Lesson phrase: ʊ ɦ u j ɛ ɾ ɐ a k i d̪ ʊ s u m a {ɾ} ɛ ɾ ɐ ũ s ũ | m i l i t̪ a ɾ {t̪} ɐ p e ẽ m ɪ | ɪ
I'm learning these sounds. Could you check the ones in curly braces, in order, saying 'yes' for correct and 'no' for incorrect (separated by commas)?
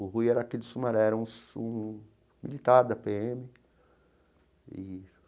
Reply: yes, no